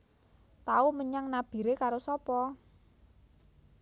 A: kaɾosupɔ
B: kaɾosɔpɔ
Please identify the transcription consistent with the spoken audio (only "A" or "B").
B